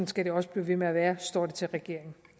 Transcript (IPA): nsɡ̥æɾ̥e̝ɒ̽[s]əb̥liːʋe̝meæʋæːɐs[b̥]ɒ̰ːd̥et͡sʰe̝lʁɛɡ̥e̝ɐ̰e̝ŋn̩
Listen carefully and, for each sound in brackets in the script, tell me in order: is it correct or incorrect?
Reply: correct, incorrect

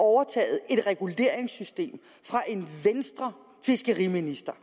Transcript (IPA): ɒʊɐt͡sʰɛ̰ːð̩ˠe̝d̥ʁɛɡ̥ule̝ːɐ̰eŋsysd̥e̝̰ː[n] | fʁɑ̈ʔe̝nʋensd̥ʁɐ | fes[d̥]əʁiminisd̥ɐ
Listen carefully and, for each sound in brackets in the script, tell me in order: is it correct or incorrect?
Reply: incorrect, incorrect

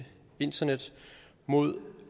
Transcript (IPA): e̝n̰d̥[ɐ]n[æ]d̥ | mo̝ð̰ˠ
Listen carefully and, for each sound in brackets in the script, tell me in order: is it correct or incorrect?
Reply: correct, incorrect

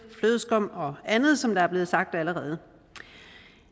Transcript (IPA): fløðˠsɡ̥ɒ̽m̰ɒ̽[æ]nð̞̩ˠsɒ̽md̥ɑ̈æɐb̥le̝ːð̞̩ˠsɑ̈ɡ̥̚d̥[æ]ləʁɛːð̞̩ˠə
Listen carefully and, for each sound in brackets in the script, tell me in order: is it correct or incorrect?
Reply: correct, correct

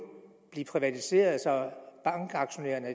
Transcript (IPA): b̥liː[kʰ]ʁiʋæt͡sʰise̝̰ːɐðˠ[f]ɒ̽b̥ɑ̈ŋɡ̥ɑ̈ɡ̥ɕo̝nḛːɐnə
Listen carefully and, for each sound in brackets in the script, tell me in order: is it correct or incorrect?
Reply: incorrect, incorrect

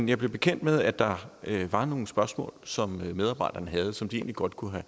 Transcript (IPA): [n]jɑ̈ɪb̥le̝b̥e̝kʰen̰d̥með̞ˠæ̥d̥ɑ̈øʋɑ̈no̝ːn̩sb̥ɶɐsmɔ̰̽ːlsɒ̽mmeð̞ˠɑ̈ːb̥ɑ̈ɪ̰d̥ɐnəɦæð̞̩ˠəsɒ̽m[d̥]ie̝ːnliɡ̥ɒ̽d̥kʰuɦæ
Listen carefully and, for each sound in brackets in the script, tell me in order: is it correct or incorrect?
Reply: correct, correct

